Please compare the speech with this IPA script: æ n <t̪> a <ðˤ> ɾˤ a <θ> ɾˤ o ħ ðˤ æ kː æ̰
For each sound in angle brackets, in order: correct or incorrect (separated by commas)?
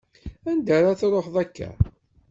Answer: incorrect, incorrect, correct